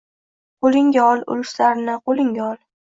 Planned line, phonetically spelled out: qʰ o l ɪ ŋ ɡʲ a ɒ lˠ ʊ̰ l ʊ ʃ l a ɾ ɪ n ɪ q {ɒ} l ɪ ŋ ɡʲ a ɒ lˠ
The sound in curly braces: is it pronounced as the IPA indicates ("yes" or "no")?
no